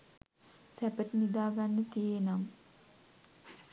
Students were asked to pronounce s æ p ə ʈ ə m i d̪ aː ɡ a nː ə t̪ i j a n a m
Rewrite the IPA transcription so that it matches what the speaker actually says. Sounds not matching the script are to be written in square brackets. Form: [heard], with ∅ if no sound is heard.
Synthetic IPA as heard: s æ p ə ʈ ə [n] i d̪ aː ɡ a nː ə t̪ i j [e] n a m